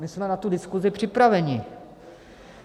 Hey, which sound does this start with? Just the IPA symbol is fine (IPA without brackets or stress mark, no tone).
m